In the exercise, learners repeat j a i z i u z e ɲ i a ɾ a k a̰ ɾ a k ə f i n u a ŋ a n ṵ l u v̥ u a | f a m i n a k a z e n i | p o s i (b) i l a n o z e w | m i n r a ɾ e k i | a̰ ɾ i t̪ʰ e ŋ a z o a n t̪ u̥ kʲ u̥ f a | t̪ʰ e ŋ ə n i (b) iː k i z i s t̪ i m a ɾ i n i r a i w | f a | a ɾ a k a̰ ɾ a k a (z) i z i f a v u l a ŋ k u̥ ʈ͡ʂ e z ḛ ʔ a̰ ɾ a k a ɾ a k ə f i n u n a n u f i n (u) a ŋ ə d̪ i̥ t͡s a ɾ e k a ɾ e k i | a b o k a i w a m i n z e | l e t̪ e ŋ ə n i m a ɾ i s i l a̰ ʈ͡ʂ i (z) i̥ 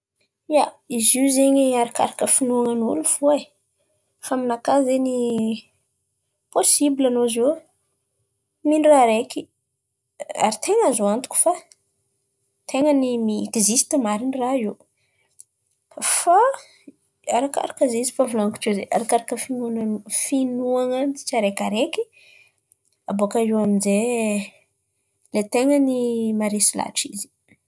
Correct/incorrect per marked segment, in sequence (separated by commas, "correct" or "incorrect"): correct, incorrect, correct, correct, correct